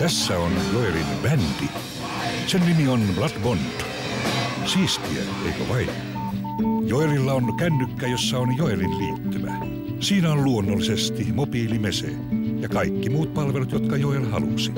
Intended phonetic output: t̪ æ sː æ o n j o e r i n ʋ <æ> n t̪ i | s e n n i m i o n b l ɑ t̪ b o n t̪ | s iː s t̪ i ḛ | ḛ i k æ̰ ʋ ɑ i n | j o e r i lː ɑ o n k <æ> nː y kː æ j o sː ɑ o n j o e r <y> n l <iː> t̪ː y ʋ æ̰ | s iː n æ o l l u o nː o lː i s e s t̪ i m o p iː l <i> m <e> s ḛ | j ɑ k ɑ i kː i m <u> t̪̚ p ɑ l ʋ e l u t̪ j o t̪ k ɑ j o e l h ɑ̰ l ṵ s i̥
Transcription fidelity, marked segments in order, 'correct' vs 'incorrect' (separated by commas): correct, correct, incorrect, correct, correct, correct, incorrect